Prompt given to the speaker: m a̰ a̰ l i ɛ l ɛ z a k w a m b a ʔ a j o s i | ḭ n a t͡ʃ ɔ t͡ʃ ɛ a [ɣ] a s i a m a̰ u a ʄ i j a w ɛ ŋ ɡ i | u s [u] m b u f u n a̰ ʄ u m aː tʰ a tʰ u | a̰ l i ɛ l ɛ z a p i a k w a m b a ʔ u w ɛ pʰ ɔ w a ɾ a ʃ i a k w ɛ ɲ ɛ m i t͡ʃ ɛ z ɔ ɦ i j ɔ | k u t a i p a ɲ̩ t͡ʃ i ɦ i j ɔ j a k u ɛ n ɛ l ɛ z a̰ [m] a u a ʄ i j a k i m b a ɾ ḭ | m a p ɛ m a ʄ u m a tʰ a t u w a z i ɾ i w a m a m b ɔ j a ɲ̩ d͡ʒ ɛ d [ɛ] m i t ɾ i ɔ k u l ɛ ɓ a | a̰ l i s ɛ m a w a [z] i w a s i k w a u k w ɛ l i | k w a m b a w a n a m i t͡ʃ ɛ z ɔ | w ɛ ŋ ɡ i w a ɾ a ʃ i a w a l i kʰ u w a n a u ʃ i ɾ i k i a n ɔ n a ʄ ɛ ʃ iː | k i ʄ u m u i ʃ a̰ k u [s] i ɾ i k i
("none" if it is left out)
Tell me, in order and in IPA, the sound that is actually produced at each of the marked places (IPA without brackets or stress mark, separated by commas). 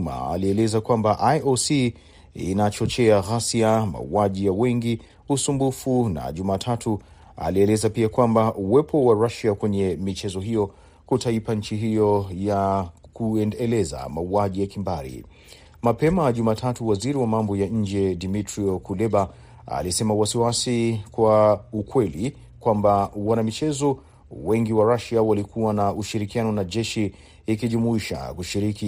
ɣ, u, m, i, s, ʃ